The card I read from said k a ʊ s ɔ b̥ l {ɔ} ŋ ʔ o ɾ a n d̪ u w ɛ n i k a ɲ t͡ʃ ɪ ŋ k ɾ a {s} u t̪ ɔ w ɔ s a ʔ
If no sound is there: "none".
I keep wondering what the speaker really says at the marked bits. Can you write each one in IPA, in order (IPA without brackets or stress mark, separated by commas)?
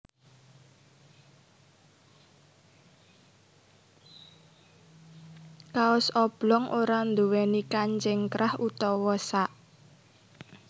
ɔ, h